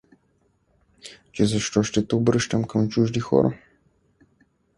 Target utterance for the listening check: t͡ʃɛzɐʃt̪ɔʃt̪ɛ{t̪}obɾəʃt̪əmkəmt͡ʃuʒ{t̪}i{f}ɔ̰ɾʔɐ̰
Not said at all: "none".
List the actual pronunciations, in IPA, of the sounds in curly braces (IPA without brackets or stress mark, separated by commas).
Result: t̪, d̪, x